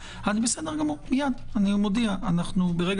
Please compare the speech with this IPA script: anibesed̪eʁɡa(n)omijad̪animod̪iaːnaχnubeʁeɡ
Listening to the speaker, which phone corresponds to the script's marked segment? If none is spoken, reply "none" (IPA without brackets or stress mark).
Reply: m